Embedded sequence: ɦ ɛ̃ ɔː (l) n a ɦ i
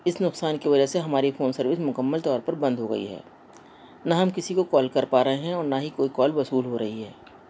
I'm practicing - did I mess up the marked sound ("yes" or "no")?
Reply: yes